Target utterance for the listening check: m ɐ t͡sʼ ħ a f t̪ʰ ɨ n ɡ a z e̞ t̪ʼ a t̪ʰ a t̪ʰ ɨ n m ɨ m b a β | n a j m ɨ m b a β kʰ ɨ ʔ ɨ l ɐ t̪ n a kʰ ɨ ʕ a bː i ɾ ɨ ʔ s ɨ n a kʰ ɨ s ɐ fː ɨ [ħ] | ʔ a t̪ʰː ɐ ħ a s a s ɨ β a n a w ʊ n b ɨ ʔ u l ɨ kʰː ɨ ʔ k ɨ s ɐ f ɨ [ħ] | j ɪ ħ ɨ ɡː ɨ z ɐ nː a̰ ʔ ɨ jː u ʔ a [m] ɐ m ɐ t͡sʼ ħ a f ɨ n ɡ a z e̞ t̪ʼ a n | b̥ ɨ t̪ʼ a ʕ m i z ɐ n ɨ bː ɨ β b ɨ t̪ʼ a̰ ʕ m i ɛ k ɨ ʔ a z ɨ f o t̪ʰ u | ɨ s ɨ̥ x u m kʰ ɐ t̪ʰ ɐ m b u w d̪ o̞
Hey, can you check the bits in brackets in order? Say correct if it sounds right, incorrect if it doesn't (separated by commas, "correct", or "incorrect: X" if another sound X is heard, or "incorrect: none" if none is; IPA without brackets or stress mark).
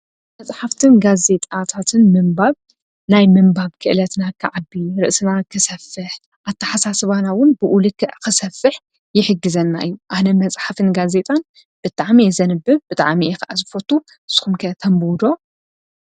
correct, correct, incorrect: n